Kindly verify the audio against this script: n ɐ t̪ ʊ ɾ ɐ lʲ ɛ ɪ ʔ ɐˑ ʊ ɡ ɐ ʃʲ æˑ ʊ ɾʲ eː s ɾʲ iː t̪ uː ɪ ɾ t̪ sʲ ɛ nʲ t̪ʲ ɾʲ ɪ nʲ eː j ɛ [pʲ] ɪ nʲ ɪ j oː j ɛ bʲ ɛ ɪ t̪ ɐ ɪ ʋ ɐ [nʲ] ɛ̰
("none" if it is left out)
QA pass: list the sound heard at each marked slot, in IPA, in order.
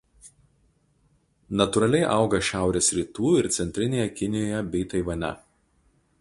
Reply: kʲ, nʲ

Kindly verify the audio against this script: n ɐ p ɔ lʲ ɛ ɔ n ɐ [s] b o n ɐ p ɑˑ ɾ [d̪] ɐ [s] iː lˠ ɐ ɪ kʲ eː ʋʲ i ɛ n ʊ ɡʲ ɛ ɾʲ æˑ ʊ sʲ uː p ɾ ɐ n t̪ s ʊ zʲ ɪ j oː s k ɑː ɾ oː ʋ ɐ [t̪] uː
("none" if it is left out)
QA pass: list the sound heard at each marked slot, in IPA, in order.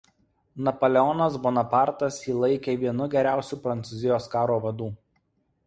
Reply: s, t̪, s, d̪

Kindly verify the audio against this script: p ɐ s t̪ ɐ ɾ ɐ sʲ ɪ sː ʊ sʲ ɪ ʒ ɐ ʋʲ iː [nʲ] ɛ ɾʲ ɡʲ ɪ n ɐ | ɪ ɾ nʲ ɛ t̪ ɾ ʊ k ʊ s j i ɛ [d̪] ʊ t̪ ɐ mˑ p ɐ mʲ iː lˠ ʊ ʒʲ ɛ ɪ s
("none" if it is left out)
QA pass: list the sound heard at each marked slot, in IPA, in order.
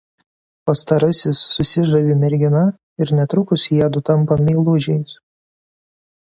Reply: mʲ, d̪

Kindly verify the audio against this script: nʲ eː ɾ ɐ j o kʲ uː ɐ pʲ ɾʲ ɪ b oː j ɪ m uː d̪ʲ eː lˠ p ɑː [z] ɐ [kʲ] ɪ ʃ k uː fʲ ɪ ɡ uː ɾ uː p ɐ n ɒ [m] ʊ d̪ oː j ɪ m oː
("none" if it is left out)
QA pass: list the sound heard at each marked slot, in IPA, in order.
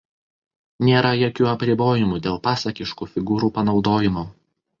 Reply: s, kʲ, none

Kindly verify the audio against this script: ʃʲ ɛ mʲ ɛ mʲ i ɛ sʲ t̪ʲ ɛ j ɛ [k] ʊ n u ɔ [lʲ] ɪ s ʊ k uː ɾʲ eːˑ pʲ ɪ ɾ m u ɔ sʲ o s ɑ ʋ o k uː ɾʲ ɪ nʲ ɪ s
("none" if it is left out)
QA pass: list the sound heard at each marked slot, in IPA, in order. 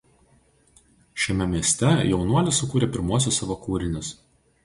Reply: none, lʲ

